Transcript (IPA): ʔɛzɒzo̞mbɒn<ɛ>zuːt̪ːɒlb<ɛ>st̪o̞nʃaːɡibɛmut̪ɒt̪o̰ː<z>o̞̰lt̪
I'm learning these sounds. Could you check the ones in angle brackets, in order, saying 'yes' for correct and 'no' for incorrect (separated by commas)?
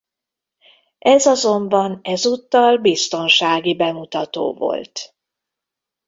yes, no, no